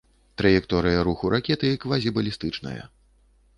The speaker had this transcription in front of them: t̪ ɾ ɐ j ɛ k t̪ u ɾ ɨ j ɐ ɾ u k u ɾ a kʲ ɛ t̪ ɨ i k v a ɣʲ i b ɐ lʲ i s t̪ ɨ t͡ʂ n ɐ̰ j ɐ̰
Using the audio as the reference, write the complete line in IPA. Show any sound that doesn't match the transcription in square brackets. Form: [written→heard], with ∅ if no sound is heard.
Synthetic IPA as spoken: t̪ ɾ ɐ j ɛ k t̪ [u→ɔ] ɾ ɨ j ɐ ɾ u [k→x] u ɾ a kʲ ɛ t̪ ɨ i k v a [ɣʲ→zʲ] i b ɐ lʲ i s t̪ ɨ t͡ʂ n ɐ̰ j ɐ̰